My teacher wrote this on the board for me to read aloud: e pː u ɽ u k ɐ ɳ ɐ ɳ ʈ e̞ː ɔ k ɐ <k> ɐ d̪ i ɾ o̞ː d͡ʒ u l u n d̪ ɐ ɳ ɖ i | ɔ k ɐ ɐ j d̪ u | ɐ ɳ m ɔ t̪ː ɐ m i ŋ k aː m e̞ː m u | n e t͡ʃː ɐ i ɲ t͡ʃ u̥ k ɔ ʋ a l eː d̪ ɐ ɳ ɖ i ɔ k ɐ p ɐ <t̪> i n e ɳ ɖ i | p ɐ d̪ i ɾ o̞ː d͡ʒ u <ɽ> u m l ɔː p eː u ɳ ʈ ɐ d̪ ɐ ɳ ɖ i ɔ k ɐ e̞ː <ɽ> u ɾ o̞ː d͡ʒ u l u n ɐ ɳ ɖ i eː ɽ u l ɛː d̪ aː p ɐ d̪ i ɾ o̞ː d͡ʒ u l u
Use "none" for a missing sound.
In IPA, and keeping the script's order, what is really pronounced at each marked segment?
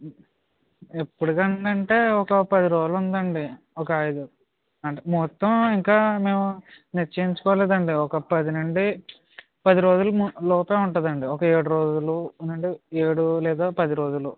p, d̪, l, ɽ

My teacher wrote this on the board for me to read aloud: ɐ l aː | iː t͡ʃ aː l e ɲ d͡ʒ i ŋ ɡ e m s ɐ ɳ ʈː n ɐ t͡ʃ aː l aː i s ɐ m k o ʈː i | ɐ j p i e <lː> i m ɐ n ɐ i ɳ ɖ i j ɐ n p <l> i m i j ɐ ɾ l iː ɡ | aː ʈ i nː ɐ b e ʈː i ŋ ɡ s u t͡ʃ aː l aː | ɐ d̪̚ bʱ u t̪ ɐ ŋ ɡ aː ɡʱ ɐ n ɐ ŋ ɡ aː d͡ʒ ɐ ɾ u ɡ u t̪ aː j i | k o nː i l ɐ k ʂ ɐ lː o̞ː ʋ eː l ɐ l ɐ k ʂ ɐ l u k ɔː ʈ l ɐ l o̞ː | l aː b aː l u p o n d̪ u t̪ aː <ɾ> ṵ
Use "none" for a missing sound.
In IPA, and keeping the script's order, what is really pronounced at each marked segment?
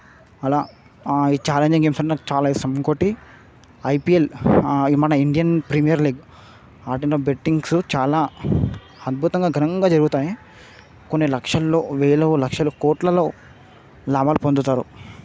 l, ɾ, ɾ

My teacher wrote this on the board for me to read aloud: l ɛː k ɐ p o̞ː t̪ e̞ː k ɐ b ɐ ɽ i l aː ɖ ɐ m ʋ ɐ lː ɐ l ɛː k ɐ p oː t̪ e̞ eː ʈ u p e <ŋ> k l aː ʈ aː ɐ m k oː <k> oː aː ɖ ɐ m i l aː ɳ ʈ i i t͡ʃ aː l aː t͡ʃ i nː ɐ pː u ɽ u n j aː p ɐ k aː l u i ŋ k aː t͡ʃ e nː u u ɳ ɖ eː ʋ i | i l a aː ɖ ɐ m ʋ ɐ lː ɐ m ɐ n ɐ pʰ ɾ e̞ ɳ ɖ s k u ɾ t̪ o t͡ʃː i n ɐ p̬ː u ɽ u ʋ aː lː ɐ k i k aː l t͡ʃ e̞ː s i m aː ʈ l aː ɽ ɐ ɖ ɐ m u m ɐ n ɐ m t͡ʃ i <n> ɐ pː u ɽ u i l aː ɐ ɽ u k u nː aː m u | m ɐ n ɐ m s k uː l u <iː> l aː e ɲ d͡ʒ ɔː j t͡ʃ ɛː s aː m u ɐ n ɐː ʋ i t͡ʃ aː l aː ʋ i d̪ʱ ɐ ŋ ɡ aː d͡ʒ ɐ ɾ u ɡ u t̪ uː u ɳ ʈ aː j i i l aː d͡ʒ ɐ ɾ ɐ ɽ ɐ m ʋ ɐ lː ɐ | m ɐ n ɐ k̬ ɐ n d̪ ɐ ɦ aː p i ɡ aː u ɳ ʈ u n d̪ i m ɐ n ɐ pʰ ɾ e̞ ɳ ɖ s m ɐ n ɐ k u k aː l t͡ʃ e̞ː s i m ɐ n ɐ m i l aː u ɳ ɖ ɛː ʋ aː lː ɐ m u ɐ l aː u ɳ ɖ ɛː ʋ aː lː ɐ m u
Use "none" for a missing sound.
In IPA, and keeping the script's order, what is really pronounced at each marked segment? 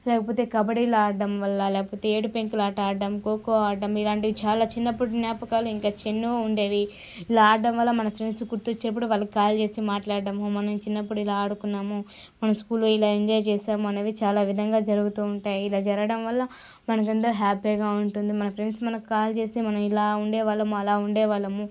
ŋ, k, nː, i

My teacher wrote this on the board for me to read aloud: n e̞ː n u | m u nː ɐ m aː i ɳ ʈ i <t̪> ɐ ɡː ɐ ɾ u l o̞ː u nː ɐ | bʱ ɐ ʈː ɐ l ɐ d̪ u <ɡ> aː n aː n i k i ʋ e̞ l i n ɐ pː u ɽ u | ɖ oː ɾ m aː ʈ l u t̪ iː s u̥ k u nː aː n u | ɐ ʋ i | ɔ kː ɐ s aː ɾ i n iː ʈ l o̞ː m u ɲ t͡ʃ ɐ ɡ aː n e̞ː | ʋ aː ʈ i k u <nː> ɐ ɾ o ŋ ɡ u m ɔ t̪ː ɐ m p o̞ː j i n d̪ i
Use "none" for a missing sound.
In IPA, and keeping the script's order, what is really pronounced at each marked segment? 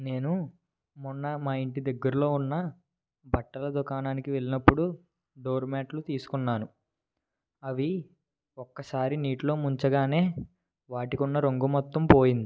d̪, k, nː

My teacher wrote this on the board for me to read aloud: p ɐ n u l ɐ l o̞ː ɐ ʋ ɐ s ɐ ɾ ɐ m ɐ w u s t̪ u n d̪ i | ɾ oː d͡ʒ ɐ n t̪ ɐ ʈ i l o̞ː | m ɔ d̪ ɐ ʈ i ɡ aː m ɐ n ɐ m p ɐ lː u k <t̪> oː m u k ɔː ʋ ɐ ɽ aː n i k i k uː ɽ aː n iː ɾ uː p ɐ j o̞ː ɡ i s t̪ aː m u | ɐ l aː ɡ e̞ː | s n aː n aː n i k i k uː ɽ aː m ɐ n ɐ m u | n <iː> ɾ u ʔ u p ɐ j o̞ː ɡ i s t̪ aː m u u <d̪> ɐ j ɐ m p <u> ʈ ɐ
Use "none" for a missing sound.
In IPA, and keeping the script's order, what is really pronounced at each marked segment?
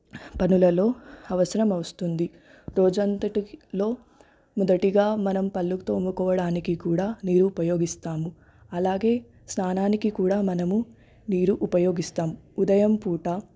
t̪, iː, d̪, uː

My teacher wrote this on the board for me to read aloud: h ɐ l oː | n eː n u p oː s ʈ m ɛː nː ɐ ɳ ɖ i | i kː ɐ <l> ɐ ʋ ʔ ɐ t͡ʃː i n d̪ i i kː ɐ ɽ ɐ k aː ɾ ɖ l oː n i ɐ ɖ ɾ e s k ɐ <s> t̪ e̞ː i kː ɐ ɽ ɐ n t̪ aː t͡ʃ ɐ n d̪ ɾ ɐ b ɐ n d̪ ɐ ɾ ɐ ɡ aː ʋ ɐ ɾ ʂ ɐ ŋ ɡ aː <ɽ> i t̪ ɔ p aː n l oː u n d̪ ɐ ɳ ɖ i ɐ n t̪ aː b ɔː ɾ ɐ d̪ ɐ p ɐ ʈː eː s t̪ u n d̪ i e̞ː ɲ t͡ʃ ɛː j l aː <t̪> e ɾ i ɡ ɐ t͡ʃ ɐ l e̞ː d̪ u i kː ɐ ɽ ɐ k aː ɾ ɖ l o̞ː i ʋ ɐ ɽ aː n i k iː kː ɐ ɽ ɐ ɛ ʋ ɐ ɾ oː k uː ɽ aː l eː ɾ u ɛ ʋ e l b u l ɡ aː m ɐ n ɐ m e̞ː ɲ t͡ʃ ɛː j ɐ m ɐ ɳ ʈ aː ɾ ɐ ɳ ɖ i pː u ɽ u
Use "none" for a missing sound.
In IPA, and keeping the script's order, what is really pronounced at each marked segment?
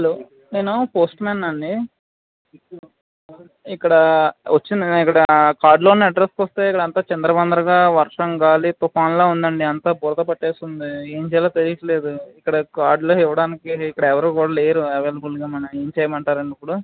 ɽ, s, l, t̪

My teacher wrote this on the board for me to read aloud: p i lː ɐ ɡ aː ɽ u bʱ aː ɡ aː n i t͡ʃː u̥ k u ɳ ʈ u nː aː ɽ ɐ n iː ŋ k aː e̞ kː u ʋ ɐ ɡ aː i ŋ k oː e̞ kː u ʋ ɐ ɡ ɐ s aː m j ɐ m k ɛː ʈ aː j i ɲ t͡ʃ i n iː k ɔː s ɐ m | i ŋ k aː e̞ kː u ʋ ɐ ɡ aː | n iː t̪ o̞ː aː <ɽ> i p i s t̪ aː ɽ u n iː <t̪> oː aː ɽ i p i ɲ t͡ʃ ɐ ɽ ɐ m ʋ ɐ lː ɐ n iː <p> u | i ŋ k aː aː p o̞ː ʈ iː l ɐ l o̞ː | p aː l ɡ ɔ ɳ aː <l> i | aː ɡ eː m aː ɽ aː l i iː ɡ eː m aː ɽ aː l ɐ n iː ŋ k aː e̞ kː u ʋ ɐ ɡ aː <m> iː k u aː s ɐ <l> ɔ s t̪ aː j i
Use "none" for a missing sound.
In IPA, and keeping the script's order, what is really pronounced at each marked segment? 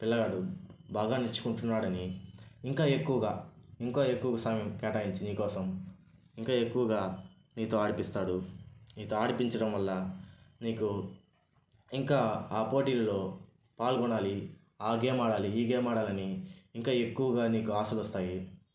ɽ, t̪, k, l, n, l

